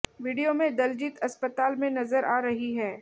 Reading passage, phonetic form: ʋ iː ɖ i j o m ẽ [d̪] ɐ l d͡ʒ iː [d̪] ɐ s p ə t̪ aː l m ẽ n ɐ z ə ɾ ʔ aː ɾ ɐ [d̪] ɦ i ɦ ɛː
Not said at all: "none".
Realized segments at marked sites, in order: d̪, t̪, none

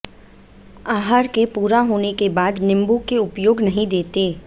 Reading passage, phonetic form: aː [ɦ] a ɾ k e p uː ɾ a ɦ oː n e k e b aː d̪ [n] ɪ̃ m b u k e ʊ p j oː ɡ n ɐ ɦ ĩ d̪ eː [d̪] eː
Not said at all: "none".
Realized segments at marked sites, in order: ɦ, n, t̪

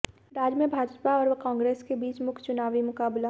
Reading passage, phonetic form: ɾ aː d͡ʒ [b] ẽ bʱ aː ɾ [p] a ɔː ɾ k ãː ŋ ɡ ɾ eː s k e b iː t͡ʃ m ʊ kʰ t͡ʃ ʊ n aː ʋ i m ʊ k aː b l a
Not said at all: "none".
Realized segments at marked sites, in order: m, p

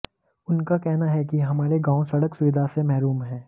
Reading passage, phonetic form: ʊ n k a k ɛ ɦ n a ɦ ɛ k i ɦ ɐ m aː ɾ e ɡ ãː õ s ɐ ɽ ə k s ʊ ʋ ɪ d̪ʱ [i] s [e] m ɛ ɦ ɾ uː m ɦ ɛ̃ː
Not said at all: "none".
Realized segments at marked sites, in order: a, e

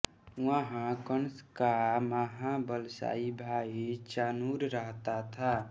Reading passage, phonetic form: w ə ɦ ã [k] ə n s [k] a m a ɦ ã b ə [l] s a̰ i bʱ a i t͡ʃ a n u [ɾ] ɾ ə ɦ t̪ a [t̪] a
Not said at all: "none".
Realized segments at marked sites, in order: k, k, l, ɾ, t̪ʰ

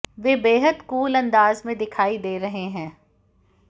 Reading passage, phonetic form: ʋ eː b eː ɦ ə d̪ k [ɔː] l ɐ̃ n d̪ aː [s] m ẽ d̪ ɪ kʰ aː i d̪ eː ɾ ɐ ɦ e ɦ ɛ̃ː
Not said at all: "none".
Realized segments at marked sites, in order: uː, z

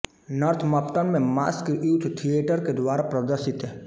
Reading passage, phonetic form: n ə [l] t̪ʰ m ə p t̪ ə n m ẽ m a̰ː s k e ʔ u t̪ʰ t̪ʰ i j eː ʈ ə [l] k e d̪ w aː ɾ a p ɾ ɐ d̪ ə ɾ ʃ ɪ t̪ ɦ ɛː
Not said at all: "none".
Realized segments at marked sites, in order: ɾ, ɾ

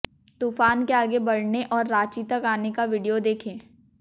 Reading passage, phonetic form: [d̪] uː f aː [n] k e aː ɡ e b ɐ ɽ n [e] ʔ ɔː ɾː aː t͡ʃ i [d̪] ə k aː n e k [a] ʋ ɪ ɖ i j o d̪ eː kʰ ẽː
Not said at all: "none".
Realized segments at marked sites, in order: t̪, n, e, t̪, a

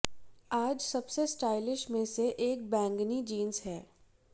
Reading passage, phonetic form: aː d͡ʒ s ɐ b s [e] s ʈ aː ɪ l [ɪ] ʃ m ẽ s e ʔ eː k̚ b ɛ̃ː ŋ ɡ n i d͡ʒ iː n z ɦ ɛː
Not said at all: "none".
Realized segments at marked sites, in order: e, ɪ

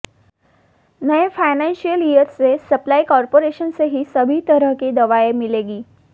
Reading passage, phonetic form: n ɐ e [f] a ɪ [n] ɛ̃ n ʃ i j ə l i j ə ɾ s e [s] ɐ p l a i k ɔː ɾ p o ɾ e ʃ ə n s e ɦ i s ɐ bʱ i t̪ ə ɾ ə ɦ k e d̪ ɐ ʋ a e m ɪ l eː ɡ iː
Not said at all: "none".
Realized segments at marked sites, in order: f, n, s

